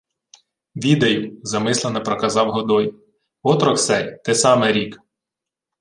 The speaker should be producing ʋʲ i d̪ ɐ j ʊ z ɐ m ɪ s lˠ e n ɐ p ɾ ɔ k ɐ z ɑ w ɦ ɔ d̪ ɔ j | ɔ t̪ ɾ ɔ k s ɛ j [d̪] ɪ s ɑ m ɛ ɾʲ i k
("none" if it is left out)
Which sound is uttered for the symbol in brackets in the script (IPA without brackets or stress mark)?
t̪